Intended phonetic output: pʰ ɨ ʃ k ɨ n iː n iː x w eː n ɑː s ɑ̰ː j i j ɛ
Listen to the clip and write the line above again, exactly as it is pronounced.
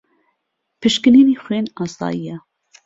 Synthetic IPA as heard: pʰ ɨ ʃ k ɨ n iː n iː x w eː n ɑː s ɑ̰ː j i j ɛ